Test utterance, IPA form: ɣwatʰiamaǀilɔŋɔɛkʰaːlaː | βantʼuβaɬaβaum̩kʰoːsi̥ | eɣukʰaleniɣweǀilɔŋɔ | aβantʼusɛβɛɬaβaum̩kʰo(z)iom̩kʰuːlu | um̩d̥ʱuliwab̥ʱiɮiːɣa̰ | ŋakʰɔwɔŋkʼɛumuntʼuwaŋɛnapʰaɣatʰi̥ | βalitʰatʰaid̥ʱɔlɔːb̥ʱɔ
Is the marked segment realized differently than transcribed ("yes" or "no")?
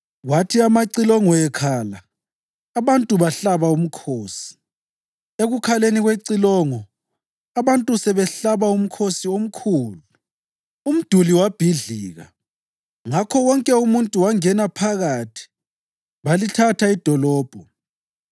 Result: yes